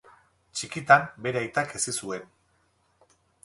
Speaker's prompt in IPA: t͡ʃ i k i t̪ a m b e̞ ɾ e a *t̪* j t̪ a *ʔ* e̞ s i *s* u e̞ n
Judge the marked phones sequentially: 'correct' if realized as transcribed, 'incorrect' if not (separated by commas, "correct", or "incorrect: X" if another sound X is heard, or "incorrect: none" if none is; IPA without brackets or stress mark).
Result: incorrect: none, incorrect: k, correct